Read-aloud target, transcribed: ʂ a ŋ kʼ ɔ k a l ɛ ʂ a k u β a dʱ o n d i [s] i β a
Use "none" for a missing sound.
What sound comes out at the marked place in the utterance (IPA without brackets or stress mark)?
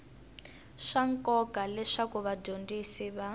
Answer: s